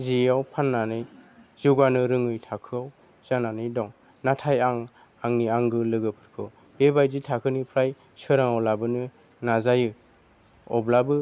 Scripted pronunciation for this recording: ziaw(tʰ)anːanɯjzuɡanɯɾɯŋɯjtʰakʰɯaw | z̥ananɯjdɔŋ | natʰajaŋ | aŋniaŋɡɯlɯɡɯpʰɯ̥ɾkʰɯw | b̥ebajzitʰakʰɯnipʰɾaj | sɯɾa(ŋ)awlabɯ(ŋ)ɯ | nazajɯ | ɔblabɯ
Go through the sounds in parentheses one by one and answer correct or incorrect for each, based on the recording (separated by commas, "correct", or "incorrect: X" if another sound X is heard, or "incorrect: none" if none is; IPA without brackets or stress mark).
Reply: incorrect: pʰ, correct, incorrect: n